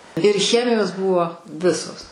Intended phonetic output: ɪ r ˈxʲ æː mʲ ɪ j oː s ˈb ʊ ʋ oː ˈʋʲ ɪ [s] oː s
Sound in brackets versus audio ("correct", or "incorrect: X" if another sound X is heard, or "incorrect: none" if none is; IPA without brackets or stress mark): correct